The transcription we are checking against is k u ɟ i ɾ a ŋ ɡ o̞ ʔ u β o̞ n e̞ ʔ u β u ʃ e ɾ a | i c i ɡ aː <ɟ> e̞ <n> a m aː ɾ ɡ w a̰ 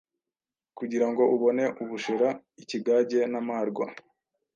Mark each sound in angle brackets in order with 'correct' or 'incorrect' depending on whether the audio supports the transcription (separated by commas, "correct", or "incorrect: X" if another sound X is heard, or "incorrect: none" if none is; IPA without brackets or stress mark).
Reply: correct, correct